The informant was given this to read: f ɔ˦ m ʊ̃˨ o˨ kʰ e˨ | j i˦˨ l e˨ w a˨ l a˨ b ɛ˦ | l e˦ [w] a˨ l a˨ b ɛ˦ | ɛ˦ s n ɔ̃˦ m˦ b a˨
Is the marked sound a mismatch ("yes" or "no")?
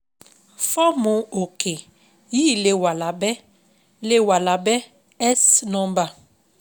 no